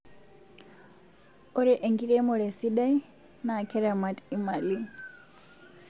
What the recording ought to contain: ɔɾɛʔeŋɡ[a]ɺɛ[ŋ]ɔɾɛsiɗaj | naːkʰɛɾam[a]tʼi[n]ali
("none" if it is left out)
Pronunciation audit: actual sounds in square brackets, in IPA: i, m, a, m

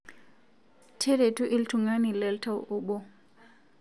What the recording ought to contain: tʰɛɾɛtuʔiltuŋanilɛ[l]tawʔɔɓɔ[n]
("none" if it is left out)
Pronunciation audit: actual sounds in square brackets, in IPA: l, none

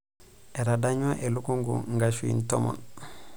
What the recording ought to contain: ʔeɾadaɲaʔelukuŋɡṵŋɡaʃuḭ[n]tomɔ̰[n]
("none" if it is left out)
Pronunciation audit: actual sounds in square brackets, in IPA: n, n

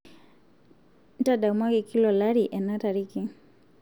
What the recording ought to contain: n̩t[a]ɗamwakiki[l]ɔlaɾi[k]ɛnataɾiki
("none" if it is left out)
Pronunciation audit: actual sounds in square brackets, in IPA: a, l, ʔ

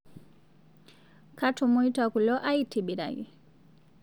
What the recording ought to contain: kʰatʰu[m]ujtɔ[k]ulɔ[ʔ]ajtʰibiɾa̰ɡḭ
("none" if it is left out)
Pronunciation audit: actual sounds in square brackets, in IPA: m, k, ʔ

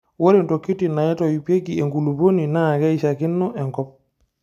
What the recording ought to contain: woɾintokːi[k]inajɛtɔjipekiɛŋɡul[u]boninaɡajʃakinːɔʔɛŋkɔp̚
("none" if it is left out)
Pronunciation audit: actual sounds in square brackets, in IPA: t, u

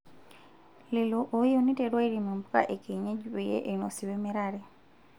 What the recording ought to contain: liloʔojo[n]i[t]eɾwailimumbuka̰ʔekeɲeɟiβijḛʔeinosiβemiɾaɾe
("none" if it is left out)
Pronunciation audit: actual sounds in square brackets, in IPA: n, t

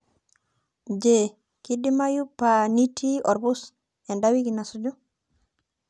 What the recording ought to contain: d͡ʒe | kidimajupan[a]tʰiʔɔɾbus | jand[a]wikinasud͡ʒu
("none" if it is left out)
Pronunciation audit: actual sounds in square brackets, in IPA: i, a

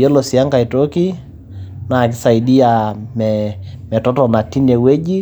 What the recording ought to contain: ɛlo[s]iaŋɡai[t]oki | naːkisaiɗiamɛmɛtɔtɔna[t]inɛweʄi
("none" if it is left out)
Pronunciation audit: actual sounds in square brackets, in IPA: s, t, t

